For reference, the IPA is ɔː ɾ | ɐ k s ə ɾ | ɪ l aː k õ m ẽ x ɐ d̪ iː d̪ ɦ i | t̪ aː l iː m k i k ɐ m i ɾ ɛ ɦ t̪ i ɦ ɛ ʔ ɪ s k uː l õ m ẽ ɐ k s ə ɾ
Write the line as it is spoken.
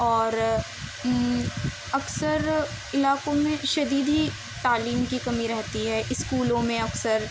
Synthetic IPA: ɔː ɾ | ɐ k s ə ɾ | ɪ l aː k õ m ẽ ʃ ɐ d̪ iː d̪ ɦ i | t̪ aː l iː m k i k ɐ m i ɾ ɛ ɦ t̪ i ɦ ɛ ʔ ɪ s k uː l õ m ẽ ɐ k s ə ɾ